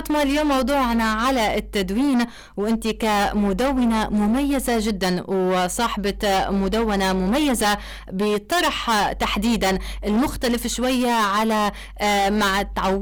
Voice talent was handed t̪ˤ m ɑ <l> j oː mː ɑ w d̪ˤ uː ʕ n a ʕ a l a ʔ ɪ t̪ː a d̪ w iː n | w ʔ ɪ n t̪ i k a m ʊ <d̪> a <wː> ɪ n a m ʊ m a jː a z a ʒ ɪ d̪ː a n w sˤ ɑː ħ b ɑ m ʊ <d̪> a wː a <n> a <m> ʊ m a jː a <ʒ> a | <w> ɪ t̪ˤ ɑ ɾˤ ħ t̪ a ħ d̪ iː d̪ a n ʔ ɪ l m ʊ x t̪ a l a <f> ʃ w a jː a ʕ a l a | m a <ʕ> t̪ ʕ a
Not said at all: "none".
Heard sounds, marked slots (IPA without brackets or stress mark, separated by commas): l, d̪, wː, d̪, n, m, z, b, f, ʕ